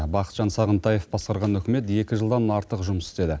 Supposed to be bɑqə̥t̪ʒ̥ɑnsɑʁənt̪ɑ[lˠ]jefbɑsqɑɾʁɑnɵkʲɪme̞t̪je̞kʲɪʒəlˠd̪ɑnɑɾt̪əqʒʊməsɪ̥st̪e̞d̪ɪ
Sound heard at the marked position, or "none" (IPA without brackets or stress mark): none